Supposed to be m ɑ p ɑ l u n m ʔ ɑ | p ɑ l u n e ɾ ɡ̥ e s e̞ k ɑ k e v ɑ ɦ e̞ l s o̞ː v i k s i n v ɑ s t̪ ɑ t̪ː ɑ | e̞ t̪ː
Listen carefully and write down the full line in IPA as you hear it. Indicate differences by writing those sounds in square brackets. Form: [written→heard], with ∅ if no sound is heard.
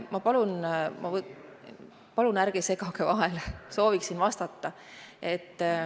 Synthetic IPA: m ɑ p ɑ l u n m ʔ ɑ | p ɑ l u n [e→æ] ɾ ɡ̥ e s e̞ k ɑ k e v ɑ ɦ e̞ l s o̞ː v i k s i n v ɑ s t̪ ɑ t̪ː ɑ | e̞ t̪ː